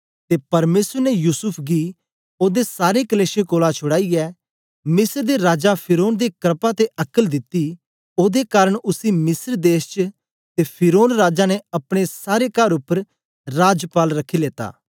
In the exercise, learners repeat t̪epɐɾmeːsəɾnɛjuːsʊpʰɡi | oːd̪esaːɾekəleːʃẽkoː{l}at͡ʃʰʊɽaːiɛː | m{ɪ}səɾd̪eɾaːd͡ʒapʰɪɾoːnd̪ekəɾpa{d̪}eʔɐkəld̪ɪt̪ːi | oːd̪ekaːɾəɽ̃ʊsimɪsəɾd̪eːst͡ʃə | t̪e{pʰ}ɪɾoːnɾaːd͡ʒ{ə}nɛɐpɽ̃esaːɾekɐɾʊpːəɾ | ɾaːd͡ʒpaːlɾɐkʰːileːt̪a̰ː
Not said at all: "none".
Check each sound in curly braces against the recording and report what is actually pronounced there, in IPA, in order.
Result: l, ɪ, t̪, pʰ, a

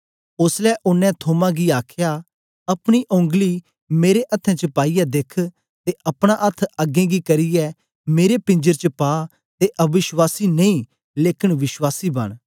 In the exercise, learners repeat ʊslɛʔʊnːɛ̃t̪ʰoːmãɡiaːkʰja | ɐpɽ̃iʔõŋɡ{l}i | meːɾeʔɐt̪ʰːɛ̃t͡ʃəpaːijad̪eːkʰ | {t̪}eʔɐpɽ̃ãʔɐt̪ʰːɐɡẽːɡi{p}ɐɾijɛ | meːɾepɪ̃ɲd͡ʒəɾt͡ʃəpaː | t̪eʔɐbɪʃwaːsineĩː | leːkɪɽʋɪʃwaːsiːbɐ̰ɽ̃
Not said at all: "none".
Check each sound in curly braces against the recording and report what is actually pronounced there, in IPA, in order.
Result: l, t̪, k

